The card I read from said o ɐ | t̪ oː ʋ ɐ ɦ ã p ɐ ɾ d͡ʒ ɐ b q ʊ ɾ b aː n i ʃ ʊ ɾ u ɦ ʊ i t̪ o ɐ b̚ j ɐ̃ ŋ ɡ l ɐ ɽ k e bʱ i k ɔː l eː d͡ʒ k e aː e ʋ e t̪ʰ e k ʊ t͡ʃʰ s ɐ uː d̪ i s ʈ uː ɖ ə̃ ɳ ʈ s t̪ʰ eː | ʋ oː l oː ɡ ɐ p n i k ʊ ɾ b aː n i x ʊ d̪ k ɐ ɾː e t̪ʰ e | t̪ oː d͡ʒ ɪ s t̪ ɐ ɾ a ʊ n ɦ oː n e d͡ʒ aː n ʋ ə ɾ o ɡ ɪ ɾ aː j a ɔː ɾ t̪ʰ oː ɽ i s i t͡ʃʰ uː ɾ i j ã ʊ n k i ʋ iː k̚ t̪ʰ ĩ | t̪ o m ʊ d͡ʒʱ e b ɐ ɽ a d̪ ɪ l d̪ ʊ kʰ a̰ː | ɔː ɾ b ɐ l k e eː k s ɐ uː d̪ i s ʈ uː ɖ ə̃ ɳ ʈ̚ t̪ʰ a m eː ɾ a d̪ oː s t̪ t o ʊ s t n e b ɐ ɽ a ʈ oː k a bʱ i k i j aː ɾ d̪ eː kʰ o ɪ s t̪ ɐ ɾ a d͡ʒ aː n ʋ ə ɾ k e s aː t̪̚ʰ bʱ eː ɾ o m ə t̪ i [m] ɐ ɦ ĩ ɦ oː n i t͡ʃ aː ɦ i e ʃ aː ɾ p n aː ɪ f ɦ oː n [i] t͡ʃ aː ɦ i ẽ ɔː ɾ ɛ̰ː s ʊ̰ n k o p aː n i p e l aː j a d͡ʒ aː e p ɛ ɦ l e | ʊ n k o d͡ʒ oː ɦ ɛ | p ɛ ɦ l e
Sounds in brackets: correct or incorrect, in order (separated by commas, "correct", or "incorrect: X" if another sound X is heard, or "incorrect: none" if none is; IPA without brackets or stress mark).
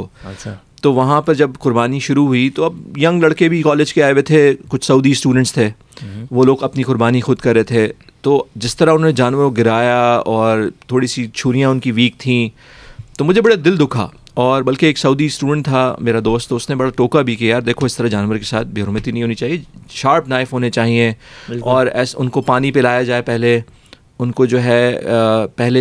incorrect: n, incorrect: e